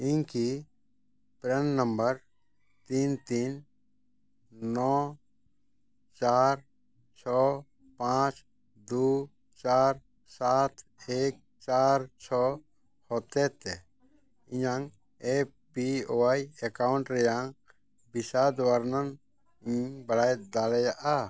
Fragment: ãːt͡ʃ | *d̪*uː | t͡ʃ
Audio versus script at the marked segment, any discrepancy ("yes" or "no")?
no